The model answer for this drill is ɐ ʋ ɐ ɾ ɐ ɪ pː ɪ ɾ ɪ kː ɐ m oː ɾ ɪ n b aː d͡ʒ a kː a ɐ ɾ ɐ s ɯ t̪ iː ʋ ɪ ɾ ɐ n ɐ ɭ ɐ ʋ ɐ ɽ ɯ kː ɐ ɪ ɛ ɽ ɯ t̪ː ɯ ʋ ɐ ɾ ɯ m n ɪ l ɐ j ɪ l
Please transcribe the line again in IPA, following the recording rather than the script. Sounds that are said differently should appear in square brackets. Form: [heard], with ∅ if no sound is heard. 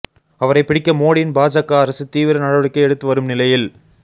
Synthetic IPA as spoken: ɐ ʋ ɐ ɾ ɐ ɪ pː ɪ [ɽ] ɪ kː ɐ m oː [ɽ] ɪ n b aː d͡ʒ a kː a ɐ ɾ ɐ s ɯ t̪ iː ʋ ɪ ɾ ɐ n ɐ [ɽ] ɐ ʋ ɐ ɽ ɯ kː ɐ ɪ ɛ ɽ ɯ t̪ː ɯ ʋ ɐ ɾ ɯ m n ɪ l ɐ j ɪ l